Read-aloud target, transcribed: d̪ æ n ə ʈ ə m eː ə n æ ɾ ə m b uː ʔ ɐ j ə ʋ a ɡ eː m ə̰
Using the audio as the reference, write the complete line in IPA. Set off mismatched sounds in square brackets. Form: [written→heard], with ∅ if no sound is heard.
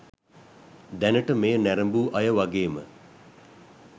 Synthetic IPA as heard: d̪ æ n ə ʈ ə m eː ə n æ ɾ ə m b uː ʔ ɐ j ə ʋ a ɡ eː m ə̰